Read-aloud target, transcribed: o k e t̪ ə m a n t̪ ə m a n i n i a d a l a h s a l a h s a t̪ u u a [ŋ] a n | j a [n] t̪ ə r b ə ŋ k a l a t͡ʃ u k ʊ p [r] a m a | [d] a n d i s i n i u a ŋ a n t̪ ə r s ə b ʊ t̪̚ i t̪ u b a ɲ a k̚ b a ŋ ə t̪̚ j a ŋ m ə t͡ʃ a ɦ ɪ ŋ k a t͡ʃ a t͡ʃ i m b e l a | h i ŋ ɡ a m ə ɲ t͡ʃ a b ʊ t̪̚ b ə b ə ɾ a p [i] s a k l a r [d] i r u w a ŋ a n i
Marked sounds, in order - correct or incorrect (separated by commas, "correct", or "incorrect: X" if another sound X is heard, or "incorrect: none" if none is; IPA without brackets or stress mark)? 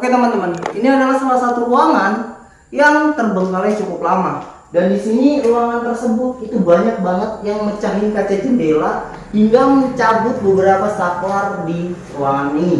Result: correct, incorrect: ŋ, incorrect: l, correct, incorrect: a, correct